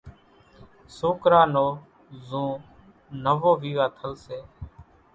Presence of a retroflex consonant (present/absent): absent